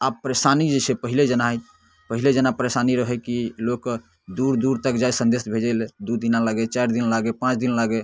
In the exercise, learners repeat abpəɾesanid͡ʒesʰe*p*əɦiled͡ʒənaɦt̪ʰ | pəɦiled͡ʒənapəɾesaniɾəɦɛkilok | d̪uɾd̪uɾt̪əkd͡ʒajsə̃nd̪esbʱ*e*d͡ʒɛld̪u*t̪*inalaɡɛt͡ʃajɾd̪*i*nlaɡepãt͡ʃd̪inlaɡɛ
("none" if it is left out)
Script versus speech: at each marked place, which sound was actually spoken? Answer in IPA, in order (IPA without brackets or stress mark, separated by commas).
p, e, d̪, i